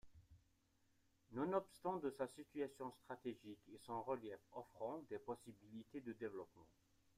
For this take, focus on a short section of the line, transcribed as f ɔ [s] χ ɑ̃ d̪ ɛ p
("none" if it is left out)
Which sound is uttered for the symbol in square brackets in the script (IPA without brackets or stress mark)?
f